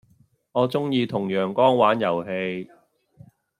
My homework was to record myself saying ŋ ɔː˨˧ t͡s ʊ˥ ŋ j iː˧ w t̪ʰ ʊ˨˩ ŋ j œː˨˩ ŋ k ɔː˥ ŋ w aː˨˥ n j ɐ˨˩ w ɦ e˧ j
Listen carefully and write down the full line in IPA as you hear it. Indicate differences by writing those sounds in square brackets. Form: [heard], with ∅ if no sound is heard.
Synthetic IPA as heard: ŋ ɔː˨˧ t͡s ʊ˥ ŋ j iː˧ [∅] t̪ʰ ʊ˨˩ ŋ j œː˨˩ ŋ k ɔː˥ ŋ w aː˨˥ n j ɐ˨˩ w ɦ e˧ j

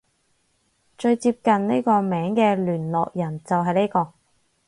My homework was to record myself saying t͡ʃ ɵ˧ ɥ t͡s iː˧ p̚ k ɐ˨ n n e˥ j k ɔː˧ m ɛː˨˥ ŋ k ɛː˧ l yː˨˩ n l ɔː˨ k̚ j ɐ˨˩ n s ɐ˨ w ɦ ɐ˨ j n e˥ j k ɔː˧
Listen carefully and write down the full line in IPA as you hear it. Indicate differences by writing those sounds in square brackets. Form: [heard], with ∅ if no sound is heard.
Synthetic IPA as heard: t͡ʃ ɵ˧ ɥ t͡s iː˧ p̚ k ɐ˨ n n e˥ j k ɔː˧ m ɛː˨˥ ŋ k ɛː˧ l yː˨˩ n l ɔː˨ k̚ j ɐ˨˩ n [t͡s] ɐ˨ w ɦ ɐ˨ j n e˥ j k ɔː˧

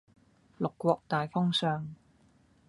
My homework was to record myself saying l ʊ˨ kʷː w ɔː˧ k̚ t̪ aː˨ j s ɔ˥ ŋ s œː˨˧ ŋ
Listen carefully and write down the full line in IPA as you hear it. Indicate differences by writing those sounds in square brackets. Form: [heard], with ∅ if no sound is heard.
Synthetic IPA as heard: l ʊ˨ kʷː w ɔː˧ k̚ t̪ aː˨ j [f] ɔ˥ ŋ s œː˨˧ ŋ

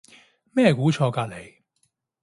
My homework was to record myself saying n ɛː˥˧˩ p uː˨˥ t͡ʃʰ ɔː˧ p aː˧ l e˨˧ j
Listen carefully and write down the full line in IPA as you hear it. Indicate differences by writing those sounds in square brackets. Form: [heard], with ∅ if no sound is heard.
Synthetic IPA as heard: [m] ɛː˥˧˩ [k] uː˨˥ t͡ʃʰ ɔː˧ [k] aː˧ l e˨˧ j

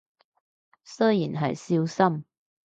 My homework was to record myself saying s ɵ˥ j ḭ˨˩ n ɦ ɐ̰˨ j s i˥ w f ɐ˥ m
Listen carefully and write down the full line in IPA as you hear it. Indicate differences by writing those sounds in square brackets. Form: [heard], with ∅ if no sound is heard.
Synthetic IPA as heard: s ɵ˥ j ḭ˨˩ n ɦ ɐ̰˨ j s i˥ w [s] ɐ˥ m

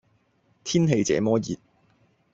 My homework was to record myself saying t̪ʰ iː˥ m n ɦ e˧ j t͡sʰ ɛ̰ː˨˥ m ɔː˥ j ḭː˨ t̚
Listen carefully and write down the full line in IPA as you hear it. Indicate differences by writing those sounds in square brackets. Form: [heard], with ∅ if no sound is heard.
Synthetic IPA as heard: t̪ʰ iː˥ [∅] n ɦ e˧ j [t͡s] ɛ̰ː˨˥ m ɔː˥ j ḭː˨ t̚

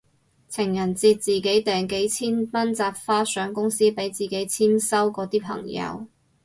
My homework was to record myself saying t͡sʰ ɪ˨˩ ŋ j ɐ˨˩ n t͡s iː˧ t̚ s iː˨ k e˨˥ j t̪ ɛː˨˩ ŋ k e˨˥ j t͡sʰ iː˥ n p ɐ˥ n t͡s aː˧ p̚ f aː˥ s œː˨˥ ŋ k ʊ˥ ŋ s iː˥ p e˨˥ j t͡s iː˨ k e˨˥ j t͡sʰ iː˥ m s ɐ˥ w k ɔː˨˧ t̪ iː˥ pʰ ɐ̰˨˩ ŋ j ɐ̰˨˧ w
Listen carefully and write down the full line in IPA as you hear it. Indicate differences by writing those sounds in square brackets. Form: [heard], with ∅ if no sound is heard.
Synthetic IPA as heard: t͡sʰ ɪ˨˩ ŋ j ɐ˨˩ n t͡s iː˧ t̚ [t͡s] iː˨ k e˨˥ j t̪ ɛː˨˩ ŋ k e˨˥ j t͡sʰ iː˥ n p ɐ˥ n t͡s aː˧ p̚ f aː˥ s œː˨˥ ŋ k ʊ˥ ŋ s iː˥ p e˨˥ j t͡s iː˨ k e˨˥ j t͡sʰ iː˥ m s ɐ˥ w k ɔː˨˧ t̪ iː˥ pʰ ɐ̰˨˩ ŋ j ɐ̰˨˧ w

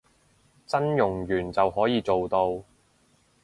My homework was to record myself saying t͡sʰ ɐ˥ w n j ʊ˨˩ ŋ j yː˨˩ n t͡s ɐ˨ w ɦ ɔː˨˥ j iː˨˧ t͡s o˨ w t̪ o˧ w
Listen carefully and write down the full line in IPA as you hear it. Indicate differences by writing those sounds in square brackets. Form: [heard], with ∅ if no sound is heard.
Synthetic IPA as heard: [t͡s] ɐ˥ [∅] n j ʊ˨˩ ŋ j yː˨˩ n t͡s ɐ˨ w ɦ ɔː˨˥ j iː˨˧ t͡s o˨ w t̪ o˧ w

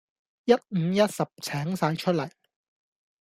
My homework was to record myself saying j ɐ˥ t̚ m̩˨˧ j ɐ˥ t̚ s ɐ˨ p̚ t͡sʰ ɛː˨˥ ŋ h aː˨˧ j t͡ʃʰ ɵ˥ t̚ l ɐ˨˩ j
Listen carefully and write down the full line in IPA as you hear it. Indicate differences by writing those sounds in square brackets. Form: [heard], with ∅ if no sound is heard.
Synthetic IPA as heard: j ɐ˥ t̚ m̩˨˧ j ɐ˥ t̚ s ɐ˨ p̚ t͡sʰ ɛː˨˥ ŋ [s] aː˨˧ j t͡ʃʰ ɵ˥ t̚ l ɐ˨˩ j

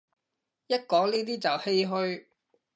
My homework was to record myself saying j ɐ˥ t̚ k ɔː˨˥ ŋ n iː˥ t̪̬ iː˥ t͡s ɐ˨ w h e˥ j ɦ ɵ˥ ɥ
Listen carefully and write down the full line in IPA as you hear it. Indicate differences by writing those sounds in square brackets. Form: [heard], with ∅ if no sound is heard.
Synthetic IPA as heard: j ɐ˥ t̚ k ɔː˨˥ ŋ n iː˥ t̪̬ iː˥ t͡s ɐ˨ w h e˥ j ɦ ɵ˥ ɥ

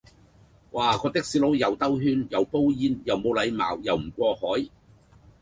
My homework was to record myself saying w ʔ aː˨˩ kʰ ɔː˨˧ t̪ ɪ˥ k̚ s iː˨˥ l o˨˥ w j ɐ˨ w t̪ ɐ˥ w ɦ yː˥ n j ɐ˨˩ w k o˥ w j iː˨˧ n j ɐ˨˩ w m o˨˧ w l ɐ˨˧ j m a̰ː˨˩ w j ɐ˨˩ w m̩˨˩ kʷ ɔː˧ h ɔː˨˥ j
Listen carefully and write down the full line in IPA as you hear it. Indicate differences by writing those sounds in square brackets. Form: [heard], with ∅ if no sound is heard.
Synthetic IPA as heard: w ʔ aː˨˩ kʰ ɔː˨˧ t̪ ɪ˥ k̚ s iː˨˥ l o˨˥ w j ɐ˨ w t̪ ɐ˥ w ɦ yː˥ n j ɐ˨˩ w [p] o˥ w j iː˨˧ n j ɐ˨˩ w m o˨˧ w l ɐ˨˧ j m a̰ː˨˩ w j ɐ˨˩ w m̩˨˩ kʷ ɔː˧ h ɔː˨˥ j

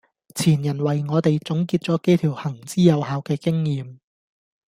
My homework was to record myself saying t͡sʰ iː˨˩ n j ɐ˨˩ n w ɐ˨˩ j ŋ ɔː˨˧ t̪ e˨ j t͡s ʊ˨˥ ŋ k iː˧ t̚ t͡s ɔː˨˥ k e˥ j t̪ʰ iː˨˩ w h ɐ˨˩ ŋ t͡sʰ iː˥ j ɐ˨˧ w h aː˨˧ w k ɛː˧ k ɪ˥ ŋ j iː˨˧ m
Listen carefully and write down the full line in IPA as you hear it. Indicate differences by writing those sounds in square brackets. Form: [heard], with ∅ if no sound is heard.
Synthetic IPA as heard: t͡sʰ iː˨˩ n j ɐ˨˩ n w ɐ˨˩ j ŋ ɔː˨˧ t̪ e˨ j t͡s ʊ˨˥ ŋ k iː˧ t̚ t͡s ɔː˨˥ k e˥ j t̪ʰ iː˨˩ w h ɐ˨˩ ŋ [t͡s] iː˥ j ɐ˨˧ w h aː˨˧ w k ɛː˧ k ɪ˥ ŋ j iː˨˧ m

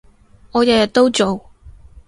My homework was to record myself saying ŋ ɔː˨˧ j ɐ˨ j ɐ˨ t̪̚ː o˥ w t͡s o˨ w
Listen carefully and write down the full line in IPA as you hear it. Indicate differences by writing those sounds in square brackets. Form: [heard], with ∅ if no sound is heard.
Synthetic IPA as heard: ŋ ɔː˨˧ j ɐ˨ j ɐ˨ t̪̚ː o˥ w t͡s o˨ w

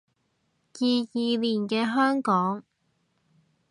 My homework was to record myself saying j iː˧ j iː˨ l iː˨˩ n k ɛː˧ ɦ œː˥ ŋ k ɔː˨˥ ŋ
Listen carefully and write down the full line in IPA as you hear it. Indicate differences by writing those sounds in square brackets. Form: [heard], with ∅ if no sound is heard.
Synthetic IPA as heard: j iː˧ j iː˨ l iː˨˩ n k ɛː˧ ɦ œː˥ ŋ k ɔː˨˥ ŋ

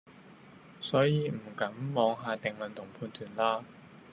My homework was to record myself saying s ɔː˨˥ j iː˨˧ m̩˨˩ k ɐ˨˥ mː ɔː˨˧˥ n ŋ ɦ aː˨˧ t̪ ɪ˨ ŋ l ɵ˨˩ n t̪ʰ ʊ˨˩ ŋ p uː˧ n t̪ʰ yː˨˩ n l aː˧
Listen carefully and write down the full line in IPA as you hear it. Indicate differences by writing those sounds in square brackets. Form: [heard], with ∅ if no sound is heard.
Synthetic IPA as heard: s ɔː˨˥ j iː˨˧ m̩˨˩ k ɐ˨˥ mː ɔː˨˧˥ [∅] ŋ ɦ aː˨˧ t̪ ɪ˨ ŋ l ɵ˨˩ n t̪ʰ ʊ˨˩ ŋ [pʰ] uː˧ n t̪ʰ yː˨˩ n l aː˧

